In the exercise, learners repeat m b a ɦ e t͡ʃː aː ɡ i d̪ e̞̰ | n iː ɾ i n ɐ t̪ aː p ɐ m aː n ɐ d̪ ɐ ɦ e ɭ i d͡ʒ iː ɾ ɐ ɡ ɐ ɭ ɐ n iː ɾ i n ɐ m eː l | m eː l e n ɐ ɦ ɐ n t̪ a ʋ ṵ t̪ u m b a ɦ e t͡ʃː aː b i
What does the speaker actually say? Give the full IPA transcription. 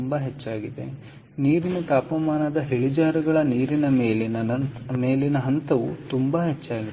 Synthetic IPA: m b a ɦ e t͡ʃː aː ɡ i d̪ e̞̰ | n iː ɾ i n ɐ t̪ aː p ɐ m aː n ɐ d̪ ɐ ɦ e ɭ i d͡ʒ aː ɾ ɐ ɡ ɐ ɭ ɐ n iː ɾ i n ɐ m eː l | m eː l i n ɐ ɦ ɐ n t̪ ɐ ʋ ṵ t̪ u m b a ɦ e t͡ʃː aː ɡ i